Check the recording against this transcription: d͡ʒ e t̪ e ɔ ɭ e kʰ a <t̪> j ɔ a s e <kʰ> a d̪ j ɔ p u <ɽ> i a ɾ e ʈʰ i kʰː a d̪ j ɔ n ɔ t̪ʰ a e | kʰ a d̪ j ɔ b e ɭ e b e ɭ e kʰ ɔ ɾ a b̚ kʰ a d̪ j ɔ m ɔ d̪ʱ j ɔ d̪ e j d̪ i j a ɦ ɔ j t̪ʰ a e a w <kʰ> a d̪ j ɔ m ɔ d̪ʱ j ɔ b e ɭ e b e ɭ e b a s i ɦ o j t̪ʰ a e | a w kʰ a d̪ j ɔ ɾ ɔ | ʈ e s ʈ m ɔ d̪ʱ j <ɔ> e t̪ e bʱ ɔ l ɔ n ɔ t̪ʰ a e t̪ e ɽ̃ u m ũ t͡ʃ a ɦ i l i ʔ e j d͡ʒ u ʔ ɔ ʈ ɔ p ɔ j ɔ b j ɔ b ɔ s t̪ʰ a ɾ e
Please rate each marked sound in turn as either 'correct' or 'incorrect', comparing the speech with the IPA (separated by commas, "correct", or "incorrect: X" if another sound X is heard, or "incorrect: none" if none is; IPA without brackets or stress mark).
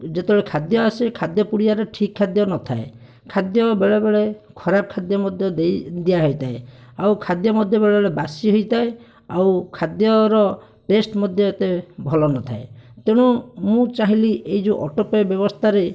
incorrect: d̪, correct, correct, correct, correct